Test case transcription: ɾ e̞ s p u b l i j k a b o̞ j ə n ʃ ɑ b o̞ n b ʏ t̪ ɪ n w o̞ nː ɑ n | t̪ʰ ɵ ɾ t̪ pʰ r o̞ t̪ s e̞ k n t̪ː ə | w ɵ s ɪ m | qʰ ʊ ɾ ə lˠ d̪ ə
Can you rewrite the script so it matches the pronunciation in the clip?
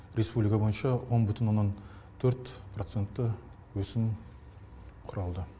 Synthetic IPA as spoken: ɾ e̞ s p u b l i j k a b o̞ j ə n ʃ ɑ w o̞ n b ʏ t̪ ɪ n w o̞ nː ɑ n | t̪ʰ ɵ ɾ t̪ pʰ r o̞ t̪ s e̞ n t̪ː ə | w ɵ s ɪ m | qʰ ʊ ɾ ɑ lˠ d̪ ə